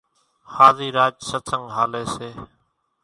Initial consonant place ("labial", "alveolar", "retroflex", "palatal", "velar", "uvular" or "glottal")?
glottal